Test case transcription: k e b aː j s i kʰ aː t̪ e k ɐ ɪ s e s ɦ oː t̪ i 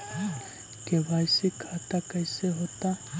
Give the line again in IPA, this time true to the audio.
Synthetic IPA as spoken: k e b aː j s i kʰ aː t̪ a k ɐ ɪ s e ɦ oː t̪ a